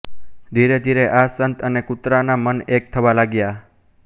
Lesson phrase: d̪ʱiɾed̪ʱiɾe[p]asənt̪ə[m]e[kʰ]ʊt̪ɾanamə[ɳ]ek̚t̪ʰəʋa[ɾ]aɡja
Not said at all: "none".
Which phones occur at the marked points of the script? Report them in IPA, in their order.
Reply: ʔ, n, k, n, l

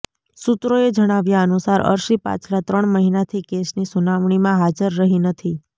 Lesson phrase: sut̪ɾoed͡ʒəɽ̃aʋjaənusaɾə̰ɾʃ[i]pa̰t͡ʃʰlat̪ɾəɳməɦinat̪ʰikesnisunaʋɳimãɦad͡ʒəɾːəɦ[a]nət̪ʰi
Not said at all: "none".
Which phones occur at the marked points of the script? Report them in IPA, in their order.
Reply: i, i

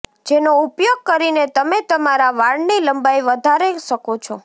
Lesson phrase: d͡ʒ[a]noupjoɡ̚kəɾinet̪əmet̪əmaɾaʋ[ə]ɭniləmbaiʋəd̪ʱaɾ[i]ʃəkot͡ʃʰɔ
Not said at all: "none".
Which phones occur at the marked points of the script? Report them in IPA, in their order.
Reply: e, a, e

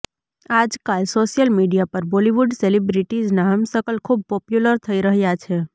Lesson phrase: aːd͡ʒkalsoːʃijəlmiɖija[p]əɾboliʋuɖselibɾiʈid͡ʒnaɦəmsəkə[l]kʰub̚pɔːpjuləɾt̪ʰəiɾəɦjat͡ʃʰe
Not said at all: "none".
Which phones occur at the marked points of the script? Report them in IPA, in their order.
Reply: p, l

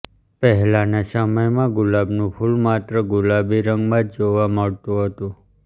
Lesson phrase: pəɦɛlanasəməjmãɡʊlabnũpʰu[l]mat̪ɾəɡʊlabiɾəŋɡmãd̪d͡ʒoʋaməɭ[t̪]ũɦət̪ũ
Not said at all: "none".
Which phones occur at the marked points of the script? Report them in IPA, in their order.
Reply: l, t̪

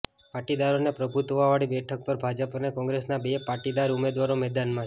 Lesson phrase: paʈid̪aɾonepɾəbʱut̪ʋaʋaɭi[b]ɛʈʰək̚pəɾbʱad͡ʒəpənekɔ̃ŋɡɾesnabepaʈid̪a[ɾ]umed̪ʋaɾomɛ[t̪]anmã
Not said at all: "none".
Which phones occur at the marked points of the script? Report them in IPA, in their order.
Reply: b, ɾ, d̪

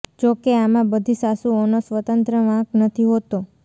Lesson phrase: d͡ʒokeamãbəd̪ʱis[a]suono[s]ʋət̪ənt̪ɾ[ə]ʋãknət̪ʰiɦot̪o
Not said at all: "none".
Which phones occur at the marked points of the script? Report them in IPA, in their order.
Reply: a, s, ə

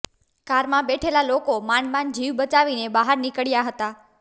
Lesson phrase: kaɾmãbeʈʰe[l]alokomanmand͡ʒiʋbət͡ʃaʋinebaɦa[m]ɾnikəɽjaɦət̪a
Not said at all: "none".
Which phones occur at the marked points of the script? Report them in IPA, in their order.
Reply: l, none

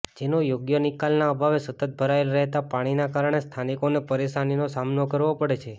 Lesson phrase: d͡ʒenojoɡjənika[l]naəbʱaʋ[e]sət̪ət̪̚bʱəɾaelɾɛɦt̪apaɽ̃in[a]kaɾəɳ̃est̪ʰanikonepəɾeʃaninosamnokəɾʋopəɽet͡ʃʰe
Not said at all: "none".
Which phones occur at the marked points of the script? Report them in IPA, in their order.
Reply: l, e, a

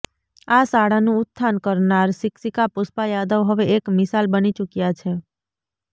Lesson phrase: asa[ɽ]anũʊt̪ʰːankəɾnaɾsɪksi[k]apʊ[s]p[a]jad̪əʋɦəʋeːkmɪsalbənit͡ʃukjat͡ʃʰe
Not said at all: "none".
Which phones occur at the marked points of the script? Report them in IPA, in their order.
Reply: ɽ, k, s, a

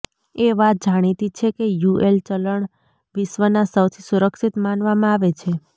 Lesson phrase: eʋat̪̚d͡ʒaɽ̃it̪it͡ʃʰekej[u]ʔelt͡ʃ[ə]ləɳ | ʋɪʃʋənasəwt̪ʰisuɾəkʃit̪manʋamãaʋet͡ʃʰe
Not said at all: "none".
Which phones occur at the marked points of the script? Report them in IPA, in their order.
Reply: u, ə

